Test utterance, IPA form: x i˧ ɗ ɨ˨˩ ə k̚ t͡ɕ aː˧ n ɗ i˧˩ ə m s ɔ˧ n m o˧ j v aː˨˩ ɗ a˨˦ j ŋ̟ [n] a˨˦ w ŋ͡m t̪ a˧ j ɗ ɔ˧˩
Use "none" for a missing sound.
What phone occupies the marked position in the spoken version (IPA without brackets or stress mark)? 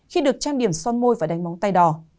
m